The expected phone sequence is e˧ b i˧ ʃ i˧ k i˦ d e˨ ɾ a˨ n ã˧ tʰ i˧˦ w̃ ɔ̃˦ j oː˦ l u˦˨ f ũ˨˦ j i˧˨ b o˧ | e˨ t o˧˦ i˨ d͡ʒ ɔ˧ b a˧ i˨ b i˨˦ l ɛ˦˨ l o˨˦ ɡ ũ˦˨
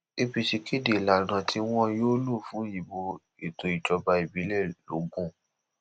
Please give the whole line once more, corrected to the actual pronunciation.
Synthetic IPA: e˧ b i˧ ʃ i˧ k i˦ d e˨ l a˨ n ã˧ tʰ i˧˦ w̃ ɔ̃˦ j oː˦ l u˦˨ f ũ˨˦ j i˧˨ b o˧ | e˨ t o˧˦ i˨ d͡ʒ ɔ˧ b a˧ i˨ b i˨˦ l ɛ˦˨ l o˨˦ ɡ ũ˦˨